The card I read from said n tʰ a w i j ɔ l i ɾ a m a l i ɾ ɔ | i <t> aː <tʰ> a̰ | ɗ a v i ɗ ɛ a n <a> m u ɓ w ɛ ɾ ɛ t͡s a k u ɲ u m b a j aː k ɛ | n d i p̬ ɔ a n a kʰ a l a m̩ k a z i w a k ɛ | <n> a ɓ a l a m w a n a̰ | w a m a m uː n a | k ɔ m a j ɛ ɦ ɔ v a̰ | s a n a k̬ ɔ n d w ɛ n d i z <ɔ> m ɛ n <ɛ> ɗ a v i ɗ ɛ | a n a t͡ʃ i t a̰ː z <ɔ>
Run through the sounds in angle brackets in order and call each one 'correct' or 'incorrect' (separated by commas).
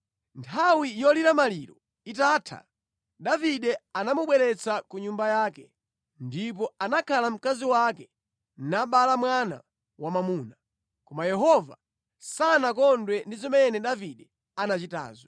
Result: correct, correct, correct, correct, correct, correct, correct